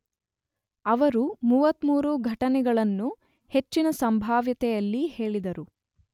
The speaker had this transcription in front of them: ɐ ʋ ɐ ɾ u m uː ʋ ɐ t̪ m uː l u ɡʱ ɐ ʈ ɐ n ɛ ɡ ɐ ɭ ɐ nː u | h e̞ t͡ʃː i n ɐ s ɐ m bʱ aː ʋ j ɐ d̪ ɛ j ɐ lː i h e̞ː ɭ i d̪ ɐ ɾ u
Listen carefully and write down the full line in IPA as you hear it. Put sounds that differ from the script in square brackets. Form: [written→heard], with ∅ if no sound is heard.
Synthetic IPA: ɐ ʋ ɐ ɾ u m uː ʋ ɐ t̪ m uː [l→ɾ] u ɡʱ ɐ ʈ ɐ n ɛ ɡ ɐ ɭ ɐ nː u | h e̞ t͡ʃː i n ɐ s ɐ m bʱ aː ʋ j ɐ [d̪→t̪] ɛ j ɐ lː i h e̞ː ɭ i d̪ ɐ ɾ u